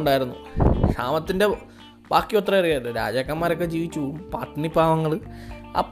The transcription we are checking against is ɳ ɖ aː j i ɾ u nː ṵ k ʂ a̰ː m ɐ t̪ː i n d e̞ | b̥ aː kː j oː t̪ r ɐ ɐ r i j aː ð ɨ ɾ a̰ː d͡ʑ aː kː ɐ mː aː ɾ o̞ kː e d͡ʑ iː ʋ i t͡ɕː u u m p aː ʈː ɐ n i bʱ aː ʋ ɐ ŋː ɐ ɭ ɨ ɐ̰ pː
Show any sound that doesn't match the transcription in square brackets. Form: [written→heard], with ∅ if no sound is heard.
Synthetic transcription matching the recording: ɳ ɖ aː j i ɾ u nː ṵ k ʂ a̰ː m ɐ t̪ː i n d e̞ | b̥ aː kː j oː t̪ r ɐ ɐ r i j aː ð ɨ ɾ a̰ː d͡ʑ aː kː ɐ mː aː ɾ o̞ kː e d͡ʑ iː ʋ i t͡ɕː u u m p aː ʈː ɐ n i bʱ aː ʋ ɐ ŋː ɐ ɭ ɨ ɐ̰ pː